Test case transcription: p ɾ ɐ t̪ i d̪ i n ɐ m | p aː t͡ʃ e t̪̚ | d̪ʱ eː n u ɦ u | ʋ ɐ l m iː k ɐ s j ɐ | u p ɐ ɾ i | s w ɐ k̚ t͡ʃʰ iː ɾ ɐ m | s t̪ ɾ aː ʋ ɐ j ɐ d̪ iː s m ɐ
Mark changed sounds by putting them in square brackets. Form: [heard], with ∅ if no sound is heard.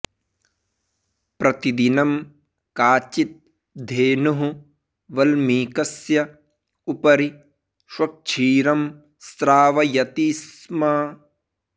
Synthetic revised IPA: p ɾ ɐ t̪ i d̪ i n ɐ m | [k] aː t͡ʃ [i] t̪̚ | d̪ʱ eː n u ɦ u | ʋ ɐ l m iː k ɐ s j ɐ | u p ɐ ɾ i | [ʃ] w ɐ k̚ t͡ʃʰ iː ɾ ɐ m | s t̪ ɾ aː ʋ ɐ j ɐ [t̪] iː s m ɐ